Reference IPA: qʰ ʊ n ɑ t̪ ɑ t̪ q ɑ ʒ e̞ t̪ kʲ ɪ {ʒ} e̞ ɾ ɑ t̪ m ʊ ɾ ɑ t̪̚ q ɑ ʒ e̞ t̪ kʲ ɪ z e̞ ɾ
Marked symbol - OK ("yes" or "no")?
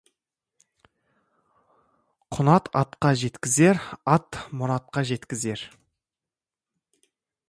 no